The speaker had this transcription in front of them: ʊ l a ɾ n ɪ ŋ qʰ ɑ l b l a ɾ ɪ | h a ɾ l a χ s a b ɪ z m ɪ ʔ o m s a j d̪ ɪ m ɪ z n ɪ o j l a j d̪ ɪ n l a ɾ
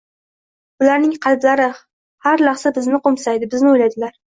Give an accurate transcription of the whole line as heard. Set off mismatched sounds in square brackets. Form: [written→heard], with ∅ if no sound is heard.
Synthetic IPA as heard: ʊ l a ɾ n ɪ ŋ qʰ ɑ l b l a ɾ ɪ | h a ɾ l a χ s a b ɪ z [m→n] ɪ [ʔ→q] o m s a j d̪ ɪ [m→b] ɪ z n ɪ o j l a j d̪ ɪ [n→∅] l a ɾ